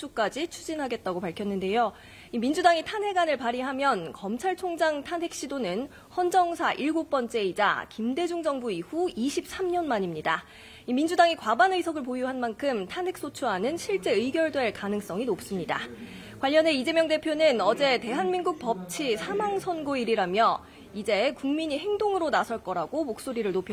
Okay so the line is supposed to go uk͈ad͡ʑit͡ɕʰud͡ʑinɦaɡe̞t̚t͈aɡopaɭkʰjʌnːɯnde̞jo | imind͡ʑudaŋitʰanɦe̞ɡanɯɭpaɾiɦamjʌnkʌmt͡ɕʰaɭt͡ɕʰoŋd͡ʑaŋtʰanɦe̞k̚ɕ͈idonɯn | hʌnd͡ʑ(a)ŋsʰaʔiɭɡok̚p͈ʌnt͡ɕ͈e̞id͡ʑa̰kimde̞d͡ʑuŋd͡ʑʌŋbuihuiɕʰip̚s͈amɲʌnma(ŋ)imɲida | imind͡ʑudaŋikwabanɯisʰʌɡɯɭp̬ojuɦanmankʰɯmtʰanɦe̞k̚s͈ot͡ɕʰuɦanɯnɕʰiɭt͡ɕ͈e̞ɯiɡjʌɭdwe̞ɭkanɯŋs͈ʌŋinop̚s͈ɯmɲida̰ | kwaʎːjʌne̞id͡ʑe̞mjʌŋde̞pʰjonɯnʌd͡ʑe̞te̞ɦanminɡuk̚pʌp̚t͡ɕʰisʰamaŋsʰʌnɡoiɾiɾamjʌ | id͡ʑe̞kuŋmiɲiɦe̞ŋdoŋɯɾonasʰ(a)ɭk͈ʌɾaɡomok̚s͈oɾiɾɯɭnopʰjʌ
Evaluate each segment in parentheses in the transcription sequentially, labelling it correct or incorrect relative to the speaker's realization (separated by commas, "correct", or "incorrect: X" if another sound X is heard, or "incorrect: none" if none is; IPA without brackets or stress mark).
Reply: incorrect: ʌ, incorrect: ɲ, incorrect: ʌ